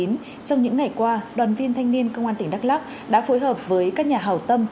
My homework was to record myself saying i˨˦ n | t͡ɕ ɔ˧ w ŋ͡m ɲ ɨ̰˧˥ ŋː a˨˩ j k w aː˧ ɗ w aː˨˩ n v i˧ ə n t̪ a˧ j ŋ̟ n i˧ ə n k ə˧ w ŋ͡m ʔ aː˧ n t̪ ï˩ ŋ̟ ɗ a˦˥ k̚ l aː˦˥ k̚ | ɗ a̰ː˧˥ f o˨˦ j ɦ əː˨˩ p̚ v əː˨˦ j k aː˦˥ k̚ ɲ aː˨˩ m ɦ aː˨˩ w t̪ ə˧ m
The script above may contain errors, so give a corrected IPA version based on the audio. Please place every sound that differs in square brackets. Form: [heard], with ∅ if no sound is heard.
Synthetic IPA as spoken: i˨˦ n | t͡ɕ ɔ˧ w ŋ͡m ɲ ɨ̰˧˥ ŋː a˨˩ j k w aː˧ ɗ w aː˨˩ n v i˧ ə n [t̪ʰ] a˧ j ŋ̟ n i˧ ə n k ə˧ w ŋ͡m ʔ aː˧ n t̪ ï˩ ŋ̟ ɗ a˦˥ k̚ l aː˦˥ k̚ | ɗ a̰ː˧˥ f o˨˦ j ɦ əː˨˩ p̚ v əː˨˦ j k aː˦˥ k̚ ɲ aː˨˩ [∅] ɦ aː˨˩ w t̪ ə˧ m